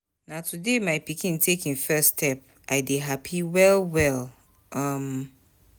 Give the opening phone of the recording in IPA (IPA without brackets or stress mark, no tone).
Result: n